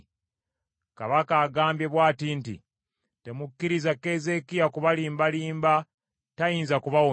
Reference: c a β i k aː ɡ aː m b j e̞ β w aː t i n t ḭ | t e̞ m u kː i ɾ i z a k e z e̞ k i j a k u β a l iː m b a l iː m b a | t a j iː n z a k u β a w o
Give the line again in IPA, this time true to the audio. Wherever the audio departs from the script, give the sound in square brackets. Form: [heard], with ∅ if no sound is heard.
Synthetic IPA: [k] a β [a] k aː ɡ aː m b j e̞ β w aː t i n t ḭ | t e̞ m u kː i ɾ i z a k e z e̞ k i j a k u β a l iː m b a l iː m b a | t a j iː n z a k u β a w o